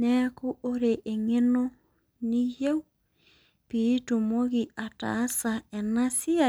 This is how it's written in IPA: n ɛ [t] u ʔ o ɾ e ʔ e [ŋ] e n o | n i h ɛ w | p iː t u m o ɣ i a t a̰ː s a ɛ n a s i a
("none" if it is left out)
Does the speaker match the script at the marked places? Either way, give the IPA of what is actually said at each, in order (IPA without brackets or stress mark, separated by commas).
k, ŋ